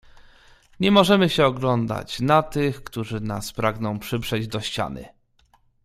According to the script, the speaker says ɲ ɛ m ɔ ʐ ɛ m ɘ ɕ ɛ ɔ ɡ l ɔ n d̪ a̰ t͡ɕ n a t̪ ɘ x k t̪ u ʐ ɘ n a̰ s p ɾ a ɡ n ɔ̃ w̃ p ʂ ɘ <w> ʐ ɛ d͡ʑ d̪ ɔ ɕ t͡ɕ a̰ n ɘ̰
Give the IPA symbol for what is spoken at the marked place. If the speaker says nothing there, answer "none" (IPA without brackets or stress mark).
b